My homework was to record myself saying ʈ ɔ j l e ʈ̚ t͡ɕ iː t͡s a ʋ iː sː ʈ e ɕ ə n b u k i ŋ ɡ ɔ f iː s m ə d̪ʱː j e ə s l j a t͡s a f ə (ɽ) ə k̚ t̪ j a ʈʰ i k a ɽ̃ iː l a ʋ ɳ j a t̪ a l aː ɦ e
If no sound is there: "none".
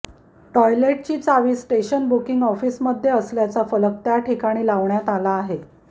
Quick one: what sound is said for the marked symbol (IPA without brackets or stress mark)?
l